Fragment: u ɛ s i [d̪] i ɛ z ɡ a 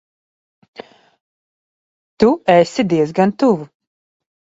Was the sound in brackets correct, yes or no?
yes